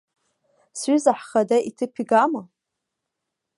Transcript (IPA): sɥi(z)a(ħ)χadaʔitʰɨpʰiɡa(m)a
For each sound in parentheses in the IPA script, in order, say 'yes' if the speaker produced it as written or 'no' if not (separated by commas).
yes, yes, yes